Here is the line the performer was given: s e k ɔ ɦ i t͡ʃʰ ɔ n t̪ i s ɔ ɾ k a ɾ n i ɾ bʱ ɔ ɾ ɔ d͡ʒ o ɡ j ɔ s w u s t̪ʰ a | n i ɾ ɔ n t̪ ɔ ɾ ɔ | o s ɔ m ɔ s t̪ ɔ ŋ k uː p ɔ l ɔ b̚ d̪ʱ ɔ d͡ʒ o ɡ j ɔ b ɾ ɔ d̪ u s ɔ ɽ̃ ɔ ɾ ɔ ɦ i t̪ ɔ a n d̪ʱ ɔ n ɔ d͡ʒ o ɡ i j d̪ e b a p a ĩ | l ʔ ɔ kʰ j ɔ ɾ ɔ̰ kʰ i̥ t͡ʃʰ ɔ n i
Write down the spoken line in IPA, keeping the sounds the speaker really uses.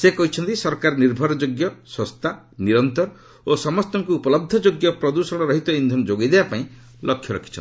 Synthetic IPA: s e k ɔ ɦ i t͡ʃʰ ɔ n t̪ i s ɔ ɾ k a ɾ n i ɾ bʱ ɔ ɾ ɔ d͡ʒ o ɡ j ɔ s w ɔ s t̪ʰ a | n i ɾ ɔ n t̪ ɔ ɾ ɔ | o s ɔ m ɔ s t̪ ɔ ŋ k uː p ɔ l ɔ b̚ d̪ʱ ɔ d͡ʒ o ɡ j ɔ p ɾ ɔ d̪ u s ɔ ɽ̃ ɔ ɾ ɔ ɦ i t̪ ɔ i n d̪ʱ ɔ n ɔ d͡ʒ o ɡ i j d̪ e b a p a ĩ | l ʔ ɔ kʰ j ɔ ɾ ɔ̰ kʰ i̥ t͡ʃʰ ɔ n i